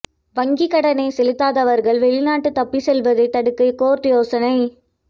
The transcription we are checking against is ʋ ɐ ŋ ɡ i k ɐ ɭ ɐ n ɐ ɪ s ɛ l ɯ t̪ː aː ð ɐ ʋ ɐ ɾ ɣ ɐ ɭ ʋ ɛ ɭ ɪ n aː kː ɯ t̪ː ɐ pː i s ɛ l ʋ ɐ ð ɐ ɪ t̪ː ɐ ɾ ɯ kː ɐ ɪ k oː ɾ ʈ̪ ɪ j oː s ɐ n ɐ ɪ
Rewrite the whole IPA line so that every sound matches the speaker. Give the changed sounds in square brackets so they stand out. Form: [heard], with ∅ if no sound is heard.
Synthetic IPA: ʋ ɐ ŋ ɡ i k ɐ [ɽ] ɐ n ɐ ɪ s ɛ l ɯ t̪ː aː ð ɐ ʋ ɐ ɾ ɣ ɐ ɭ ʋ ɛ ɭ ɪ n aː [ʈː] ɯ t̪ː ɐ pː i s ɛ l ʋ ɐ ð ɐ ɪ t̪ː ɐ [ɽ] ɯ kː ɐ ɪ k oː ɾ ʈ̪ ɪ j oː s ɐ n ɐ ɪ